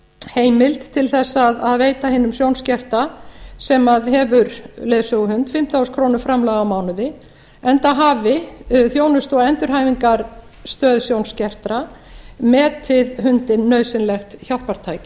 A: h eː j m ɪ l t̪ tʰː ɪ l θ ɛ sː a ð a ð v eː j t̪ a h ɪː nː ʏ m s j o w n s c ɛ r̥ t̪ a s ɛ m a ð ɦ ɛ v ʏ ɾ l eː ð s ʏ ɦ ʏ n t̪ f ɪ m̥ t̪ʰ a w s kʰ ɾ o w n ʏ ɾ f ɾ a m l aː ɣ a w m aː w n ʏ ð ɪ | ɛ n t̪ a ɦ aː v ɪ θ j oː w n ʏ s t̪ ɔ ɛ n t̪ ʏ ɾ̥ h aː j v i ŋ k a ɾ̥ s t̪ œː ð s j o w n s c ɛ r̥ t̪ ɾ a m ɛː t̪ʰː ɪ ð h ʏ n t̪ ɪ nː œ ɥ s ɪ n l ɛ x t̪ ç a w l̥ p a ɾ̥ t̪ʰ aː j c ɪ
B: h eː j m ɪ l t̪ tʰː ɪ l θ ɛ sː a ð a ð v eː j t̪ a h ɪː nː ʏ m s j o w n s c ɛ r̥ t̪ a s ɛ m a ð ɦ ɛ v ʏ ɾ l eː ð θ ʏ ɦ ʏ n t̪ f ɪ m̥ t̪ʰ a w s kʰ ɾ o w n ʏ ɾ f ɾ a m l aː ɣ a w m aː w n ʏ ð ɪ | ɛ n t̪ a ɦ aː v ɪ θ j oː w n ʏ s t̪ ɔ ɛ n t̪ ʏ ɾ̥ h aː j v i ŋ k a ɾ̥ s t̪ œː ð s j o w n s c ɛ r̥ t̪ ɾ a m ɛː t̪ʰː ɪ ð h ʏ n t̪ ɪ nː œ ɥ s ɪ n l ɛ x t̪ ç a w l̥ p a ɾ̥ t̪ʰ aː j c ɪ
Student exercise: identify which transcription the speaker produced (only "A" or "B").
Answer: A